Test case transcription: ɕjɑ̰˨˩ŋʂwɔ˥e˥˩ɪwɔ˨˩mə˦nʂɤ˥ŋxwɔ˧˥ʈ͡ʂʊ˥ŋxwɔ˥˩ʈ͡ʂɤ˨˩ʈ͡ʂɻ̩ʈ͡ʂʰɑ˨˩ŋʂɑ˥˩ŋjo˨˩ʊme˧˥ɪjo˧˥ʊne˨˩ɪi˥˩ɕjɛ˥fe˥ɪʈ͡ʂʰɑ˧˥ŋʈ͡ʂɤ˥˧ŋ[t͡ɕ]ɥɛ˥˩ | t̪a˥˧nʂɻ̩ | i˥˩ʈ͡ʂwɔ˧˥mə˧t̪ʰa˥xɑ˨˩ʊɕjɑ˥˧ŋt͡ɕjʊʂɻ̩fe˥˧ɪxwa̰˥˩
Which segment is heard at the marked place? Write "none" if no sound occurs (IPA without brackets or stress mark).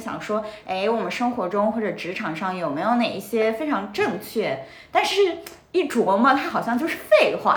t͡ɕʰ